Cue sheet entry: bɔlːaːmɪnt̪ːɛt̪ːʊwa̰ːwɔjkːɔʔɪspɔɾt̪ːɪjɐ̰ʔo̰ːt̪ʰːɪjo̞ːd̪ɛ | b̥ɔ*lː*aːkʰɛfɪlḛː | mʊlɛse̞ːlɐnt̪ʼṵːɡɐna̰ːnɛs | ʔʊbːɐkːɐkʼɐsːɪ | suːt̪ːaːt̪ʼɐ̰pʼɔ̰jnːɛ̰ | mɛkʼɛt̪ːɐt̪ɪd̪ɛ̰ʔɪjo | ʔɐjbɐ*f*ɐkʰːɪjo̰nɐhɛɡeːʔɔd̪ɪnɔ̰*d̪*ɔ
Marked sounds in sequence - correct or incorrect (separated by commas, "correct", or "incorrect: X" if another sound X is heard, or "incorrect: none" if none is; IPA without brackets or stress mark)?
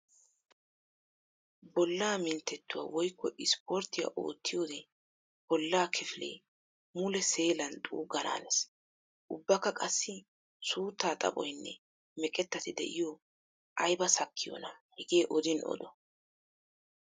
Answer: correct, incorrect: s, correct